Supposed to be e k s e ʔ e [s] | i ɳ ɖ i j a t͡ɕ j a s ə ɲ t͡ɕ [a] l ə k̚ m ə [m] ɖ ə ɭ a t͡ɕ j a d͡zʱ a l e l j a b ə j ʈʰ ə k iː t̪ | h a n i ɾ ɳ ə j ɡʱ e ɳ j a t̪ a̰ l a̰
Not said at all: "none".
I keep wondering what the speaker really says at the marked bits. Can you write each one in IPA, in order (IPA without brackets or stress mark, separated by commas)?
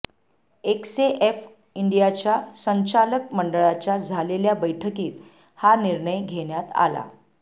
f, a, ɳ